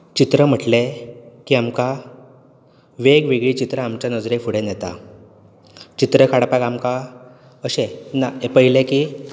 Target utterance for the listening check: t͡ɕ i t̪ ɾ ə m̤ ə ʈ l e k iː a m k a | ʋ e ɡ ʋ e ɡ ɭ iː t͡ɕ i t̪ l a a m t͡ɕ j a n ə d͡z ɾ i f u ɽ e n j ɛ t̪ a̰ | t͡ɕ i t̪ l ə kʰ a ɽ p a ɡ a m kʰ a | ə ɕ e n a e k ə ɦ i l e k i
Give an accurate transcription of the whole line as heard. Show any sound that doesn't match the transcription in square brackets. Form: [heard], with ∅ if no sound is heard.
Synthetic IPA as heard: t͡ɕ i t̪ ɾ ə m̤ ə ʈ l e k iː a m k a | ʋ e ɡ ʋ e ɡ ɭ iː t͡ɕ i t̪ [ɾ] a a m t͡ɕ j a n ə d͡z ɾ [e] f u ɽ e n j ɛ t̪ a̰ | t͡ɕ i t̪ [ɾ] ə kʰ a ɽ p a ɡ a m [k] a | ə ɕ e n a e [p] ə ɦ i l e k i